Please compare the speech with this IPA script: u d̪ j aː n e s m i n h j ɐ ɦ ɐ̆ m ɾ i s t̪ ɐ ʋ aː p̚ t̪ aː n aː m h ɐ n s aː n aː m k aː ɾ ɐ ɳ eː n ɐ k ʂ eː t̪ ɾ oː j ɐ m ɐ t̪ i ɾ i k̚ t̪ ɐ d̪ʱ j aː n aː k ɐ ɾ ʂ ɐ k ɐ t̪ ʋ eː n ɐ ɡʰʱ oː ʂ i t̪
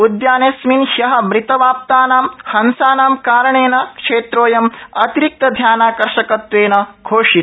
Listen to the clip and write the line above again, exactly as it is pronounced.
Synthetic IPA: u d̪ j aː n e s m i n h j ɐ ɦ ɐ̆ m ɾ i t̪ ɐ ʋ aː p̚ t̪ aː n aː m h ɐ n s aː n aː m k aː ɾ ɐ ɳ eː n ɐ k ʂ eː t̪ ɾ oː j ɐ m ɐ t̪ i ɾ i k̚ t̪ ɐ d̪ʱ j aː n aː k ɐ ɾ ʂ ɐ k ɐ t̪ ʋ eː n ɐ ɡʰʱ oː ʂ i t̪